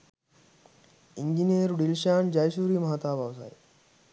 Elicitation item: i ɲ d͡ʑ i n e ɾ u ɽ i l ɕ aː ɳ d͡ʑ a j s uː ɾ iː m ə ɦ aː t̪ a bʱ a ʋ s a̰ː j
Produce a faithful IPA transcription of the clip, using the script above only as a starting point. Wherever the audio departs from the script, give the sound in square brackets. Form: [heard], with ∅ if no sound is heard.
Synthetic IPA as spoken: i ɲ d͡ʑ i n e ɾ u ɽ i l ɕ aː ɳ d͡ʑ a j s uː ɾ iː m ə ɦ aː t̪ a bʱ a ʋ s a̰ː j